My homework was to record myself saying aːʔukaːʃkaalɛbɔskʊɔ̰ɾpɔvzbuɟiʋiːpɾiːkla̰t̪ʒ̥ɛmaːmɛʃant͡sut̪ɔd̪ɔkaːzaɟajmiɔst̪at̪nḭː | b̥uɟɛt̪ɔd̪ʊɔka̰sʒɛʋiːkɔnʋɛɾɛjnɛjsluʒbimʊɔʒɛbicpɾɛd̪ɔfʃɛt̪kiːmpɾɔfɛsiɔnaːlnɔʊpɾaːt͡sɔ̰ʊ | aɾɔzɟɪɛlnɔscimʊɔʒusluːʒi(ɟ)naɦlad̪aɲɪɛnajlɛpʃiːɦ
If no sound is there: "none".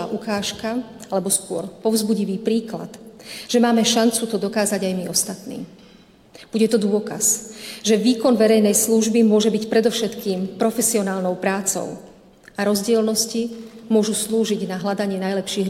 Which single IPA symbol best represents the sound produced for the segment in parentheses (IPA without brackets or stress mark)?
ɟ